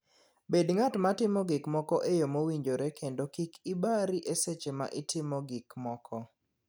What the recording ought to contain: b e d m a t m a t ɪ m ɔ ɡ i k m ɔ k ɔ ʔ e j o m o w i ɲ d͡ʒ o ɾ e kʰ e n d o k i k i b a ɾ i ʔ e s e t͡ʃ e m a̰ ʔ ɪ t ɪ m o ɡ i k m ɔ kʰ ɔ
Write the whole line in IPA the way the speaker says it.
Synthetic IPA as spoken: b e d ŋ a t m a t ɪ m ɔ ɡ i k m ɔ k ɔ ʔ e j o m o w i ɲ d͡ʒ o ɾ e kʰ e n d o k i k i b a ɾ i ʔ e s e t͡ʃ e m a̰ ʔ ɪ t ɪ m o ɡ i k m ɔ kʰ ɔ